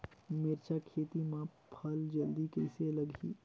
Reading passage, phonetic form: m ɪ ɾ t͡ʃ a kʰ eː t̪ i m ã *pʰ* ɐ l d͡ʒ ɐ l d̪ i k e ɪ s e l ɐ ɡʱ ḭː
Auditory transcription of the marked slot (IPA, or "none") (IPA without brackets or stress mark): pʰ